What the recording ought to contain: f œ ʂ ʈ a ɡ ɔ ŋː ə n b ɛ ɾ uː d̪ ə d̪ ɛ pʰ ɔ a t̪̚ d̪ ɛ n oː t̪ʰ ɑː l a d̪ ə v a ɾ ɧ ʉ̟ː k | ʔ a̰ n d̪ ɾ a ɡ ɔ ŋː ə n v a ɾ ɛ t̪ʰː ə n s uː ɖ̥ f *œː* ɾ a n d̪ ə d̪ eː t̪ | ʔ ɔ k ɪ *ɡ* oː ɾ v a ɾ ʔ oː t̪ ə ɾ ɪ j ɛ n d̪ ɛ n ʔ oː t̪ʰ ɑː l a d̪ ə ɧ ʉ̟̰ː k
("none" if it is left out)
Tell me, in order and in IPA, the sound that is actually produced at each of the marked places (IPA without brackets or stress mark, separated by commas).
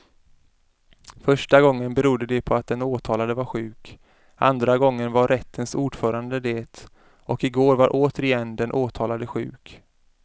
œː, ɡ